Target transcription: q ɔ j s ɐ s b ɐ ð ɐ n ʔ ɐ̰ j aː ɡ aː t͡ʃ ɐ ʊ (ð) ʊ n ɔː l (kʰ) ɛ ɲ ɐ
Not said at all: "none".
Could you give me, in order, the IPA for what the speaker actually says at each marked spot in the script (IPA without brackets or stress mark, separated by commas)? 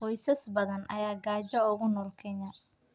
ɣ, kʰ